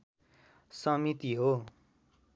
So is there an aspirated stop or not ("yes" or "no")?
no